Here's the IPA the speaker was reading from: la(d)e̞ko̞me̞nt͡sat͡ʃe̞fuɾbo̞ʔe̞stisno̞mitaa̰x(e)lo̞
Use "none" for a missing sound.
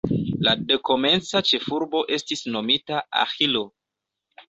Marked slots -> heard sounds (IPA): d, i

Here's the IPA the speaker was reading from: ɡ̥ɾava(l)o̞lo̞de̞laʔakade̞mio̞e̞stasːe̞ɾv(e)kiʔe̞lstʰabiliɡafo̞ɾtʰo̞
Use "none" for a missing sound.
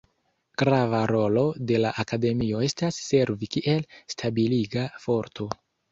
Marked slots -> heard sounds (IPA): ɾ, i

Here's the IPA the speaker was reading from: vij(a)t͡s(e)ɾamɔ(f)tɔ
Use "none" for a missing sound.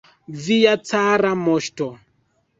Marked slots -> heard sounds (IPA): a, a, ʃ

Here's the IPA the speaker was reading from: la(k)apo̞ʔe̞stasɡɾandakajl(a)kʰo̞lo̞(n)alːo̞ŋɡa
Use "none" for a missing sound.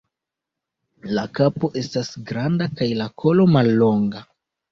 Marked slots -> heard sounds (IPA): k, a, m

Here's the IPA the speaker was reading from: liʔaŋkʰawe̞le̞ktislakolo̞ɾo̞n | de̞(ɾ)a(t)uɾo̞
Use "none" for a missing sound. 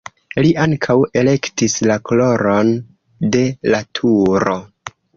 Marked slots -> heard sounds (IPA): l, tʰ

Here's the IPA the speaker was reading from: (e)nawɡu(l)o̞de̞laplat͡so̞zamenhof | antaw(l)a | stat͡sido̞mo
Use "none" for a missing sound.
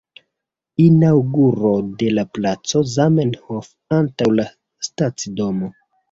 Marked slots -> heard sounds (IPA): i, ɾ, l

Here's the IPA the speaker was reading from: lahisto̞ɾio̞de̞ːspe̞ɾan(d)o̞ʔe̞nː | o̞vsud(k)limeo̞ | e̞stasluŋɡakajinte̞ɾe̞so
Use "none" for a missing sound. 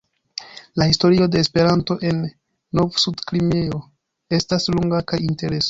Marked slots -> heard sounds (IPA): t, k

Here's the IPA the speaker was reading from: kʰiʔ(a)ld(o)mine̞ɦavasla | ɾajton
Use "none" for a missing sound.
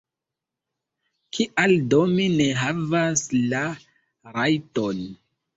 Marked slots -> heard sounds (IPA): a, o

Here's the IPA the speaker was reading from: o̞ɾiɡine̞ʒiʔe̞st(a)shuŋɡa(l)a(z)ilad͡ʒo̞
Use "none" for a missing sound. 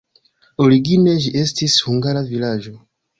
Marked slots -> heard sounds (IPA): i, ɾ, v

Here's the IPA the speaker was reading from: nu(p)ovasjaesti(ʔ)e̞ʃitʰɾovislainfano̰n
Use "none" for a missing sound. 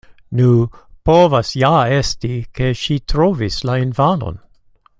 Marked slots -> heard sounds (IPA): p, k

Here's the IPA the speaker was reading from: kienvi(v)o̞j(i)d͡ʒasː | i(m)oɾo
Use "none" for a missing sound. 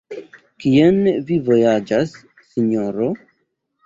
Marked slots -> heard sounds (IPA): v, a, ɲ

